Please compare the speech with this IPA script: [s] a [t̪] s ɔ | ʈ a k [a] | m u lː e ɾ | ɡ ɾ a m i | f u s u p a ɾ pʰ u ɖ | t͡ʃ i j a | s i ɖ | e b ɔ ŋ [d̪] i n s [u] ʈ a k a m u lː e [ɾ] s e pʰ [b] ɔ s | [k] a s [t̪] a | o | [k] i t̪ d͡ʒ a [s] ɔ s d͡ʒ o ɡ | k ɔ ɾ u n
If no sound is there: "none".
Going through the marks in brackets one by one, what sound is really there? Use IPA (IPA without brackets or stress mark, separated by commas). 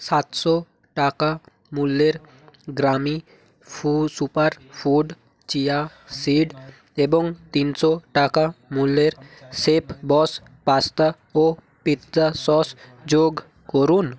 s, t̪, a, t̪, ɔ, ɾ, b, p, t̪, p, s